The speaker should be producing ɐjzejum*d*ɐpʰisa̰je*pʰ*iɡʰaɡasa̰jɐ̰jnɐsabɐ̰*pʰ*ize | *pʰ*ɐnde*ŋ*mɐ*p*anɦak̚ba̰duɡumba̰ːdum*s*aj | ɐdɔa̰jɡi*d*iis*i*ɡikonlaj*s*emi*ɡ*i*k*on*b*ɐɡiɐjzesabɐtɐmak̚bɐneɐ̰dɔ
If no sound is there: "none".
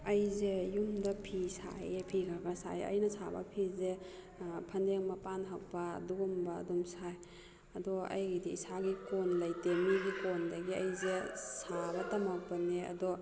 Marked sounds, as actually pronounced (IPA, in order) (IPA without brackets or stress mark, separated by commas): d, pʰ, pʰ, pʰ, ŋ, p, s, d, a, t, ɡ, k, d